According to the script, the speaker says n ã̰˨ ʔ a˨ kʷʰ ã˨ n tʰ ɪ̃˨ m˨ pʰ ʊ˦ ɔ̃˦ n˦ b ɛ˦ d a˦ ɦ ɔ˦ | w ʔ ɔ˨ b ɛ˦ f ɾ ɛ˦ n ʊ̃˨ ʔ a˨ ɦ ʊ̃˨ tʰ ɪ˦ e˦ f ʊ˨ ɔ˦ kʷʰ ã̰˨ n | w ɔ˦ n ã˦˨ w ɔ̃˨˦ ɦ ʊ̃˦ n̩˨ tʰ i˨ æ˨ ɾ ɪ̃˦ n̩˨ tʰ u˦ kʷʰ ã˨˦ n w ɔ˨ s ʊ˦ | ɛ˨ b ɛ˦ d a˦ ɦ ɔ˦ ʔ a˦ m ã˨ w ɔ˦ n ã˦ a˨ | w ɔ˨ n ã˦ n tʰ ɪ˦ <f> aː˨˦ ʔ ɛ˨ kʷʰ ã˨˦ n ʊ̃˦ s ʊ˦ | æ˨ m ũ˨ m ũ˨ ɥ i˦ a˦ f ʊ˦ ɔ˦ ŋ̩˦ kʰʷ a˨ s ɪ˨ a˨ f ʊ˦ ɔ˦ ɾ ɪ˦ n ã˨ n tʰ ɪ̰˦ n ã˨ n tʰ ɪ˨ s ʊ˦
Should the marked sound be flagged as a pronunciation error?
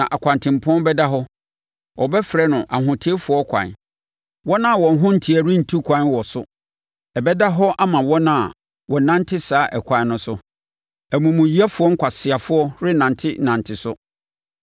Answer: yes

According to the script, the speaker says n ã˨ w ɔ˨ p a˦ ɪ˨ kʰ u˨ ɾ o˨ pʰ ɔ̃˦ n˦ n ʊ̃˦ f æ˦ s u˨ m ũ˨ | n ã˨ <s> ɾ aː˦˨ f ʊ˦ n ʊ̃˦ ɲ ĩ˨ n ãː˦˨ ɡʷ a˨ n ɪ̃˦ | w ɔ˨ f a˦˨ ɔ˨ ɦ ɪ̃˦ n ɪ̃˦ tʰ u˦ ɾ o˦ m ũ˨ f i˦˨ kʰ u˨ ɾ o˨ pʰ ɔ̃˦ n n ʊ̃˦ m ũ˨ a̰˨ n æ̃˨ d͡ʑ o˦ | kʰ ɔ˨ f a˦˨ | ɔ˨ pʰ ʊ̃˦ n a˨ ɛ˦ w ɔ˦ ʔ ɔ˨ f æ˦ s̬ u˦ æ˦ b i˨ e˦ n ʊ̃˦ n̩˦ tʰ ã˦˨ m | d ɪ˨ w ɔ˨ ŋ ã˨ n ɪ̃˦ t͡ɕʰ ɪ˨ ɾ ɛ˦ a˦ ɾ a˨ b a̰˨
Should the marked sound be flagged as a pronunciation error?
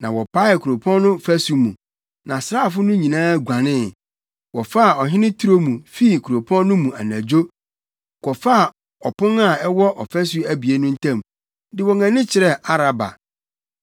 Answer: no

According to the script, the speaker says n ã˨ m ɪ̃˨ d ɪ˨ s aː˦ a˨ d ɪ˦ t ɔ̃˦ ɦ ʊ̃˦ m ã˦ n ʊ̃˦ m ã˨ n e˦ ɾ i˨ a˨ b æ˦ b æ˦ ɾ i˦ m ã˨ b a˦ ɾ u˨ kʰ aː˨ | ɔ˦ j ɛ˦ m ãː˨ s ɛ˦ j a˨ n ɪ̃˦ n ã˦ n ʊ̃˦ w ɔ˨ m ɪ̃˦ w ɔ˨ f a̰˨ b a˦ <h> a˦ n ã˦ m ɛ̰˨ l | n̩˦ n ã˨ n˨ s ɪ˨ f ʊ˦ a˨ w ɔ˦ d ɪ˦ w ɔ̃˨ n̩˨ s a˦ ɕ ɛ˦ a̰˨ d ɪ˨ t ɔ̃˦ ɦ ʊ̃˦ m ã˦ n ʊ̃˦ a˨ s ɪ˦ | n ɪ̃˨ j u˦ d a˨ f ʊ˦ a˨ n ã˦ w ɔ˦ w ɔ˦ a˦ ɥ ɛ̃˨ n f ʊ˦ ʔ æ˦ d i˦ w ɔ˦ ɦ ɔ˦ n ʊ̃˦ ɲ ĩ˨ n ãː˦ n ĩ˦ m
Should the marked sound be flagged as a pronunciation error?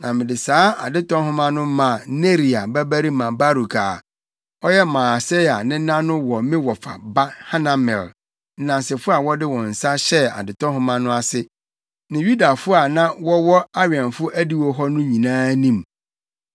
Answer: no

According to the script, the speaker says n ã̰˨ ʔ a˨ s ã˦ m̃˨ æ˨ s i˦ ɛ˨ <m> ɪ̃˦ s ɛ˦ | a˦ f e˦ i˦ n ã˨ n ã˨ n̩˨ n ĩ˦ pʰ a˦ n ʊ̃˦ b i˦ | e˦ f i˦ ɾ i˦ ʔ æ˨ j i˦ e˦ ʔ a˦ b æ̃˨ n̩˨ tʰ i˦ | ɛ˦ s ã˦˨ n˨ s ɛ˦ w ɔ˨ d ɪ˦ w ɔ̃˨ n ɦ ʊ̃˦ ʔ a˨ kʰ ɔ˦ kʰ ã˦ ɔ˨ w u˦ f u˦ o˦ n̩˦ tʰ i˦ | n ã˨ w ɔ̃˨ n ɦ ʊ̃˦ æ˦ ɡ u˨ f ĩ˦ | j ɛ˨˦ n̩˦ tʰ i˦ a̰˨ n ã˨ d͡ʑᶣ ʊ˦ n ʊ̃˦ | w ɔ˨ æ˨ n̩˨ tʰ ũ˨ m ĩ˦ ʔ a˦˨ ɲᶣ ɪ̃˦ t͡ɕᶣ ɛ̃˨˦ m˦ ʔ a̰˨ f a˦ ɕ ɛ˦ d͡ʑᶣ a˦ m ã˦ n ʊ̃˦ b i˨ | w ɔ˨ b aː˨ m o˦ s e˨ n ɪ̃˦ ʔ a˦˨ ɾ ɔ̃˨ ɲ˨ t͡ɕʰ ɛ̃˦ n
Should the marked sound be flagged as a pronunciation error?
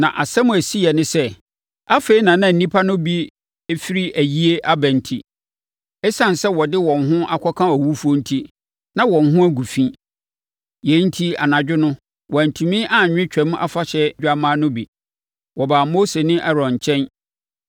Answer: yes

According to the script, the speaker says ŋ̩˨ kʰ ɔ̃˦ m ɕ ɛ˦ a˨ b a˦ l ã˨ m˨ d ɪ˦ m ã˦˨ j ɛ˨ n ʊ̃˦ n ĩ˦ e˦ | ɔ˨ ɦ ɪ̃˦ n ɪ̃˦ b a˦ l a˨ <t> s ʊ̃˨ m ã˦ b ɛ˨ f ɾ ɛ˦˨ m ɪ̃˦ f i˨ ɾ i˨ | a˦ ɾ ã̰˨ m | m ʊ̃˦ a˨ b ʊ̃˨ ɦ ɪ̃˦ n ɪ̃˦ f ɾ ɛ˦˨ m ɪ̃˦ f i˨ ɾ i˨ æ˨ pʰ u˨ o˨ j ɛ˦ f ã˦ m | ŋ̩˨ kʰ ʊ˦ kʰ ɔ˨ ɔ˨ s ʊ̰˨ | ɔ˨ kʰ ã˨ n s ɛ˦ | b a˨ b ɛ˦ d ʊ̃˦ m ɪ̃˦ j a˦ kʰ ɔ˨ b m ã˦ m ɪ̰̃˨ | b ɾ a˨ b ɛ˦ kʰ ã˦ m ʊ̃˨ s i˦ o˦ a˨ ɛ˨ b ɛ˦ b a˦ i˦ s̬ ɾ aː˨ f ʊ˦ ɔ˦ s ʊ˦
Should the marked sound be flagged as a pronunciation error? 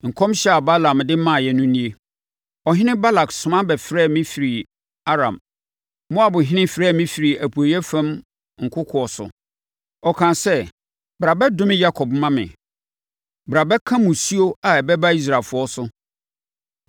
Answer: yes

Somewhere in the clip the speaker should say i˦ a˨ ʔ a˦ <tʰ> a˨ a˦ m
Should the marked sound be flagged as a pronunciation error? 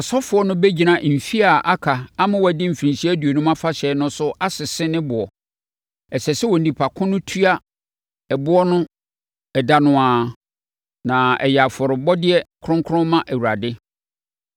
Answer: yes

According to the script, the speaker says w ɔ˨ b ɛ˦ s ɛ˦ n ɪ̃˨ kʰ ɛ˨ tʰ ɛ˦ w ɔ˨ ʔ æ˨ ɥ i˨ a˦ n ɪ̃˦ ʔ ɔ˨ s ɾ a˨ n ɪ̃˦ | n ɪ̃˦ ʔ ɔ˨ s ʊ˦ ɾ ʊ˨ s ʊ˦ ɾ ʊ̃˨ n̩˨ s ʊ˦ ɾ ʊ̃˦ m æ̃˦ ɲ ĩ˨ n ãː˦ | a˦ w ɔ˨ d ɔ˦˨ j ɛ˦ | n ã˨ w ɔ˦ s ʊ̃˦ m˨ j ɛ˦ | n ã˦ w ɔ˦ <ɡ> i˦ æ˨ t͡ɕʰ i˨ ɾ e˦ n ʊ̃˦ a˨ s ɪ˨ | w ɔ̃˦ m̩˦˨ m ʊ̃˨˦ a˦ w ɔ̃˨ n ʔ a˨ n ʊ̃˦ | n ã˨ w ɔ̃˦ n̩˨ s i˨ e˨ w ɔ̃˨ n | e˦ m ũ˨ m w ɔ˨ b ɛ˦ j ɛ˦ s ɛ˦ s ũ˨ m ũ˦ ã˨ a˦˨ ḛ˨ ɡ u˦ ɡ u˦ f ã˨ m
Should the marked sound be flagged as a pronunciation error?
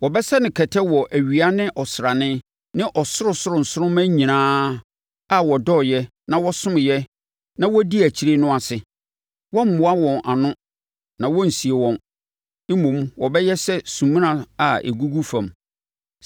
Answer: yes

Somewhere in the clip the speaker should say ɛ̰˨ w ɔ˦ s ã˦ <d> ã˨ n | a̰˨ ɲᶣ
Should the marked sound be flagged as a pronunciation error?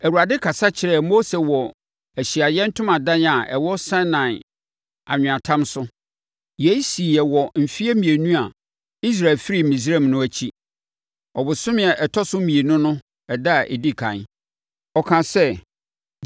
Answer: yes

